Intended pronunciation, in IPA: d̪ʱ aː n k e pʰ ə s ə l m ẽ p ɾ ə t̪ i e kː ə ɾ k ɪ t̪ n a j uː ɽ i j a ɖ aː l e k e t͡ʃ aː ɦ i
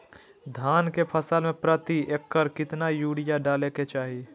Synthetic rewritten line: d̪ʱ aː n k e pʰ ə s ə l m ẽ p ɾ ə t̪ i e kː ə ɾ k ɪ t̪ n a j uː ɽ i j a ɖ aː l e k e t͡ʃ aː ɦ i